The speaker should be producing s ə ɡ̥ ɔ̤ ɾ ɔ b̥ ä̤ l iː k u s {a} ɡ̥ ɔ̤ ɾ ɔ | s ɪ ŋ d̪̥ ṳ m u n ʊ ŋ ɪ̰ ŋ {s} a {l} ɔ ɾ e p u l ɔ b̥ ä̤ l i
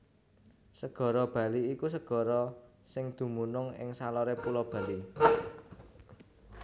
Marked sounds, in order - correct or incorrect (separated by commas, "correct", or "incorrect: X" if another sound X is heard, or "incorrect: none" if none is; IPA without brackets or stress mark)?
incorrect: ə, correct, correct